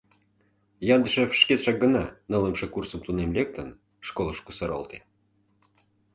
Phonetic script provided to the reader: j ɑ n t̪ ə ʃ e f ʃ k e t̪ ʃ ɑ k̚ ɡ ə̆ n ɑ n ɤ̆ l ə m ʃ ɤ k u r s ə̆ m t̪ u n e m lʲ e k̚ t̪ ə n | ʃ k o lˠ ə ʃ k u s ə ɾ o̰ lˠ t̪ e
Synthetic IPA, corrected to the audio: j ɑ n d̪ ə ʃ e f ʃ k e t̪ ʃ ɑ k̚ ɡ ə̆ n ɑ n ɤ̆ l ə m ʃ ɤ k u r s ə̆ m t̪ u n e m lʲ e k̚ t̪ ə n | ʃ k o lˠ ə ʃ k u s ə ɾ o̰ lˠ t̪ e